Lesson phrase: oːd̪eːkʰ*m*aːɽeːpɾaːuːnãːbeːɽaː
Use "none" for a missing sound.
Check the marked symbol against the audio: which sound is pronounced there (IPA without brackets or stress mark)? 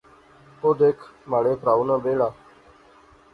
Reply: m